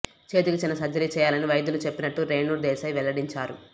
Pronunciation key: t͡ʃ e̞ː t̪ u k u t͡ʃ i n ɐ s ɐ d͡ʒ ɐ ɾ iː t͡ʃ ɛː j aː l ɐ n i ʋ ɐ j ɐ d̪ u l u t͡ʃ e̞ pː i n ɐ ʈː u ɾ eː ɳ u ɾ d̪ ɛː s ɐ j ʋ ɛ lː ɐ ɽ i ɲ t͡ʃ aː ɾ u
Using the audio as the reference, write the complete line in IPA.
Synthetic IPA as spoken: t͡ʃ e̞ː t̪ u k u t͡ʃ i n ɐ s ɐ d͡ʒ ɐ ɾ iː t͡ʃ ɛː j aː l ɐ n i ʋ ɐ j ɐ d̪ u l u t͡ʃ e̞ pː i n ɐ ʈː u ɾ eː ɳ u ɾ d̪ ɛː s ɐ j ʋ ɛ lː ɐ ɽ i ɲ t͡ʃ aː ɾ u